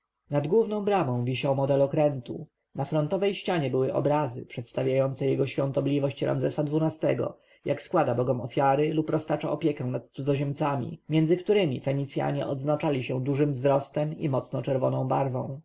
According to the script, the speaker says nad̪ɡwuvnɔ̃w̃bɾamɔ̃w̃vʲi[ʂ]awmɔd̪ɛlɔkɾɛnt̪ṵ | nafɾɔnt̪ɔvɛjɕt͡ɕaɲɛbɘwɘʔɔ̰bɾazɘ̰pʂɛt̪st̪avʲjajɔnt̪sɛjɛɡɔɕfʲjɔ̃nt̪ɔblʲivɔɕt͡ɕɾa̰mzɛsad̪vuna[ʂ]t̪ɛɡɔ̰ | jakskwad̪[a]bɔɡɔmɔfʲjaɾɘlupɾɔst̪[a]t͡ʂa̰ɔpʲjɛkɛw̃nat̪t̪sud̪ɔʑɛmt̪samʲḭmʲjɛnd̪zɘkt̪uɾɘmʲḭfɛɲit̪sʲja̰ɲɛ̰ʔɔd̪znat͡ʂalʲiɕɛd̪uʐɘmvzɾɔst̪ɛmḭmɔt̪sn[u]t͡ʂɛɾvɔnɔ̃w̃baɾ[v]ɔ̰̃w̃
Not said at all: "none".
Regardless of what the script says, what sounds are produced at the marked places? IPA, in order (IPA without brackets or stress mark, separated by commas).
ɕ, s, a, a, ɔ, v